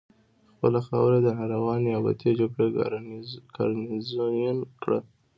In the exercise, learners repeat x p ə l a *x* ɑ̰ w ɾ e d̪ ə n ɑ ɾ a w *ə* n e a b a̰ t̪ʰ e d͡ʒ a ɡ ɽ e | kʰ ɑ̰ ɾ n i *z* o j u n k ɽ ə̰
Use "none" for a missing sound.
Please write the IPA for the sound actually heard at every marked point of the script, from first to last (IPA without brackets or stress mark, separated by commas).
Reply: x, ɑ, z